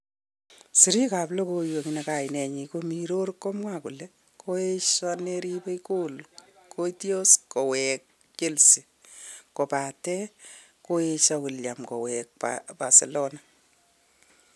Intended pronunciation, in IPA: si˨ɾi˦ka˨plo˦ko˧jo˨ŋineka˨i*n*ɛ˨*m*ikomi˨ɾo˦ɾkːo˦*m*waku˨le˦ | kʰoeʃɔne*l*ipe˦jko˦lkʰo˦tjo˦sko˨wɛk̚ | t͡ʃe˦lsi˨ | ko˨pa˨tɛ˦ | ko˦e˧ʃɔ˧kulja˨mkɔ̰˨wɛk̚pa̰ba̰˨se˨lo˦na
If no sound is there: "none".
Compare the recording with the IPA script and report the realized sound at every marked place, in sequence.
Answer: n, ɲ, m, ɾ

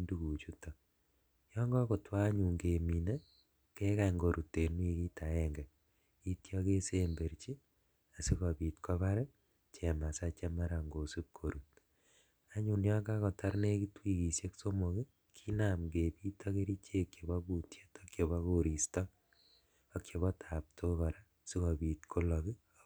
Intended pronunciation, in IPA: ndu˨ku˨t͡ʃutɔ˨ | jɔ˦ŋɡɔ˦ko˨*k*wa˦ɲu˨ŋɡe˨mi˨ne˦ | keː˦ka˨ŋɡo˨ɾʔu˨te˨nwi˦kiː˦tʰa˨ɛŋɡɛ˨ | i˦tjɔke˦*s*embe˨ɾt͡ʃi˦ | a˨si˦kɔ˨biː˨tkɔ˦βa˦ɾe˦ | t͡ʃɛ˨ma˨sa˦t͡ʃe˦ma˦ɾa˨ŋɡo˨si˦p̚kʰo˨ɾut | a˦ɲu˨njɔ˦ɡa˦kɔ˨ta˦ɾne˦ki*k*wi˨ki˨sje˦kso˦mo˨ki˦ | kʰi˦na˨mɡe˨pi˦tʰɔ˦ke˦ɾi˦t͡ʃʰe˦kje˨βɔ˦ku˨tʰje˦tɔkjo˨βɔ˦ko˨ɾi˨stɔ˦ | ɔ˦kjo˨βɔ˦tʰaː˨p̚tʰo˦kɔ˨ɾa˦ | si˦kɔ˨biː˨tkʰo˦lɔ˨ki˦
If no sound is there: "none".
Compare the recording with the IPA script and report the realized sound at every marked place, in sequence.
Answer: t, s, t

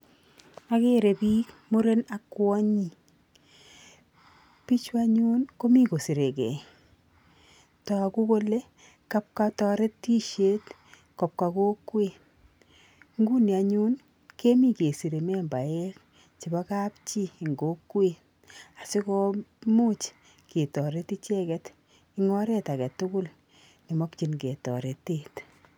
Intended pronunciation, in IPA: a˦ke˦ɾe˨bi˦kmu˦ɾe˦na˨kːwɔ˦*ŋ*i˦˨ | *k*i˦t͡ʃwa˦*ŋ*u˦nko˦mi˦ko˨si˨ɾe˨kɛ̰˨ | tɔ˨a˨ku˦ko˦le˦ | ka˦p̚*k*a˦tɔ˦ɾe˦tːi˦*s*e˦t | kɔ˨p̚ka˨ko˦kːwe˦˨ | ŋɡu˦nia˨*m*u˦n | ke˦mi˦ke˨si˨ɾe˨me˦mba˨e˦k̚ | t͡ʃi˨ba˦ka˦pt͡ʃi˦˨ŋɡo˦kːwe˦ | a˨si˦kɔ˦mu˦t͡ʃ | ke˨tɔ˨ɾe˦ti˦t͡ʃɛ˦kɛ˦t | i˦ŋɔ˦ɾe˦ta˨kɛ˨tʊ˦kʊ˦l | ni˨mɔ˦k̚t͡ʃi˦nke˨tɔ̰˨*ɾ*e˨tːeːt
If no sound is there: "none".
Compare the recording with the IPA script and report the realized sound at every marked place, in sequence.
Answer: ɲ, p, ɲ, k, ʃ, ɲ, ɾ

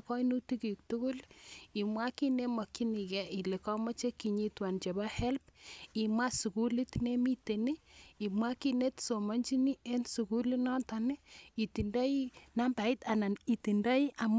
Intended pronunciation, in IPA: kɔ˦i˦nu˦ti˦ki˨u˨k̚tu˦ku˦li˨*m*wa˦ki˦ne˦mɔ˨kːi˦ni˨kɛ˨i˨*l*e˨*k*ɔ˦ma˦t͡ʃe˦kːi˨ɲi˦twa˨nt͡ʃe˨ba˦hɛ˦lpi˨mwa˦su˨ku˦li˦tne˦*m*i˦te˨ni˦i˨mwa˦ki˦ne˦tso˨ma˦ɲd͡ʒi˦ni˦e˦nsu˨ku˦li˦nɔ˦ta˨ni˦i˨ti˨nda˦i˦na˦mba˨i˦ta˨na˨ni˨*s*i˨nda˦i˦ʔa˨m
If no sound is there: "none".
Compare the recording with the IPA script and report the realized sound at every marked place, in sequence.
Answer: m, l, k, m, t

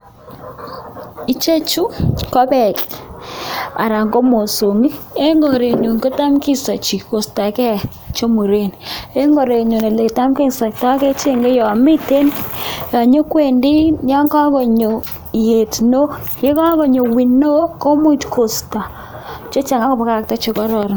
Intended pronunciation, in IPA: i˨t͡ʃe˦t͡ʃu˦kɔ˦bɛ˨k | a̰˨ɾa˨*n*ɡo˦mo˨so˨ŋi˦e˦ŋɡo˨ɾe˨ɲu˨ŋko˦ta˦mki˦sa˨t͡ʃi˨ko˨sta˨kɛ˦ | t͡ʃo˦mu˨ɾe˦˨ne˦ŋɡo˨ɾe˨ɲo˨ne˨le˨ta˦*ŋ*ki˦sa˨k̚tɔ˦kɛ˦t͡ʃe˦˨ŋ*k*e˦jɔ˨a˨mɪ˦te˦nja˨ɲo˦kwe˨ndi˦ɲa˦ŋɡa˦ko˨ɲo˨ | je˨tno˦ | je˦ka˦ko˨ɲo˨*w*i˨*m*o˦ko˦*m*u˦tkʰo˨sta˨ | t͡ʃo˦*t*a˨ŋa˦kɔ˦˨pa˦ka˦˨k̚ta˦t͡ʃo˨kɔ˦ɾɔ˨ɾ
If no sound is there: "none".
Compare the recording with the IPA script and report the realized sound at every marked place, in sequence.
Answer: ŋ, m, ɡ, w, n, m, t͡ʃ

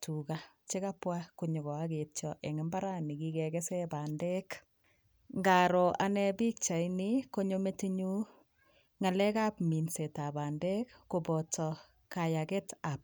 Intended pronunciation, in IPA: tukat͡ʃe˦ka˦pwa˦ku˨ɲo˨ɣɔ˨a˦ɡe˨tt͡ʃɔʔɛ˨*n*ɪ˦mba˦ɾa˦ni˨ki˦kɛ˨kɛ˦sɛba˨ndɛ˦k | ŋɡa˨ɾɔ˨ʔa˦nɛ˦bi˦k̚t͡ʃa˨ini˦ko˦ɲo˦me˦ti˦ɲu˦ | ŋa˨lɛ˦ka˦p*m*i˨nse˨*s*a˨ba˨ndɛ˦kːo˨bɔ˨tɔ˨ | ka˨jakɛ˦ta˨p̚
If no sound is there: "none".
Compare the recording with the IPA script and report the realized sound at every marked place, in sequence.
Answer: ŋ, m, t

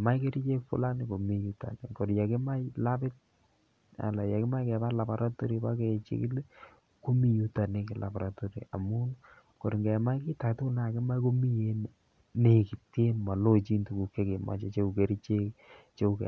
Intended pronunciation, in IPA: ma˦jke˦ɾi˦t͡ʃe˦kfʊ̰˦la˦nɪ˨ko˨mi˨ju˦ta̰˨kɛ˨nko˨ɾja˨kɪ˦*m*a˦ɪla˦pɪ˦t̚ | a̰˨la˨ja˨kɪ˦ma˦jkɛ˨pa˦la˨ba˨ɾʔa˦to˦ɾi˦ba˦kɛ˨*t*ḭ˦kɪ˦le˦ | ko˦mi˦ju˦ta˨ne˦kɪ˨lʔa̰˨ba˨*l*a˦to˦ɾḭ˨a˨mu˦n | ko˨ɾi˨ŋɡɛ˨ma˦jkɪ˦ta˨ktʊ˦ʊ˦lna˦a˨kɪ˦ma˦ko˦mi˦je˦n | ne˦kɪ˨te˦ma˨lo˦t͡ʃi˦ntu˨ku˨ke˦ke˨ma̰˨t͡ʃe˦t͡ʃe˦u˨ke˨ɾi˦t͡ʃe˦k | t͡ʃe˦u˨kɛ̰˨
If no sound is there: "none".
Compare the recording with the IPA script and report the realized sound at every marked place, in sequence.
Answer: m, t͡ʃ, ɾ

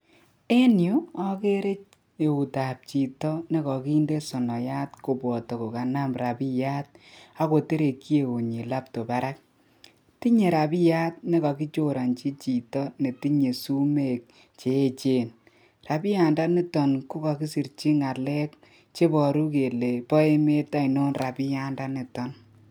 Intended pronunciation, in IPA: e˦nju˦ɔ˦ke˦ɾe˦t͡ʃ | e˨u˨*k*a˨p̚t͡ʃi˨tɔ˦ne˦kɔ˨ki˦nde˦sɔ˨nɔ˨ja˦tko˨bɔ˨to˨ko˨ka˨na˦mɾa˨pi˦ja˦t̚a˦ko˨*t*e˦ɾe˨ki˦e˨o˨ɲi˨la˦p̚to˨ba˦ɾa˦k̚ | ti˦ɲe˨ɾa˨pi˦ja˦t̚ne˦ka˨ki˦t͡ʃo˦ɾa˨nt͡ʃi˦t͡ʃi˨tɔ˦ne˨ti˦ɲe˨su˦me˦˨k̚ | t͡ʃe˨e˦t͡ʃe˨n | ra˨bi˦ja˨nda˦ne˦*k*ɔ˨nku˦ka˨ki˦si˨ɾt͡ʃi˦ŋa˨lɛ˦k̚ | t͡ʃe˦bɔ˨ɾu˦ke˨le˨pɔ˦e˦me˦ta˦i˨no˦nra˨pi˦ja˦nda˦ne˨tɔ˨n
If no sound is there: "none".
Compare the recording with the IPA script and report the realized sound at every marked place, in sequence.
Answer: t, t, t

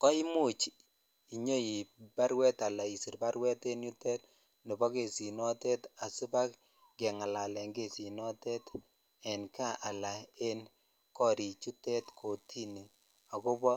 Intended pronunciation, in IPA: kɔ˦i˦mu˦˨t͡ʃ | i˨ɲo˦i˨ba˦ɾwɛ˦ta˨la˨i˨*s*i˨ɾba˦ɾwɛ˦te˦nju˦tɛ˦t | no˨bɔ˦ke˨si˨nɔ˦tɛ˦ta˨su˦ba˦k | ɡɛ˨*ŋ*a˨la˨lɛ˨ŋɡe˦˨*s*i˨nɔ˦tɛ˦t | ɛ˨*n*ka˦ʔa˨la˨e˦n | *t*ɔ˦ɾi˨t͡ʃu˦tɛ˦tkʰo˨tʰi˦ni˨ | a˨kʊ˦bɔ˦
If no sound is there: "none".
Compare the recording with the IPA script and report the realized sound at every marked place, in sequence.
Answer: s, ŋ, s, n, k

